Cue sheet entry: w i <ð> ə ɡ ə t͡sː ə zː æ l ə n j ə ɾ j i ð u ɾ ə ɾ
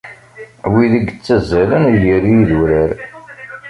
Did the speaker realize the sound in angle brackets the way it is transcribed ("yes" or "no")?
yes